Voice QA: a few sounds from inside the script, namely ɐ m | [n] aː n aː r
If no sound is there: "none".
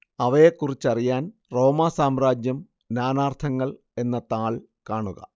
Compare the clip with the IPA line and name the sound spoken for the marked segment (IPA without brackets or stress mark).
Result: n